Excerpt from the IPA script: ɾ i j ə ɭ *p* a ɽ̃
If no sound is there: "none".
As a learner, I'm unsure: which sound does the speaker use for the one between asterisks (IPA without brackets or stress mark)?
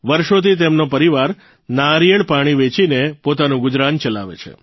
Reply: p